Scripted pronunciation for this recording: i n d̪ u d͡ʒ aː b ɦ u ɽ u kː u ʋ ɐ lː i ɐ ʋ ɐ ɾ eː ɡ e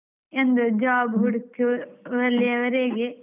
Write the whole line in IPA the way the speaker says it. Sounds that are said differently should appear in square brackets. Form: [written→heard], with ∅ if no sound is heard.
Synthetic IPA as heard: [i→e] n d̪ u d͡ʒ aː b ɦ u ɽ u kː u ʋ ɐ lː i ɐ ʋ ɐ ɾ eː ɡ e